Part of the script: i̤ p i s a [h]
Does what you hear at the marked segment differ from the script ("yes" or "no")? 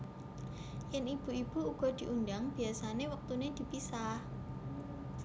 no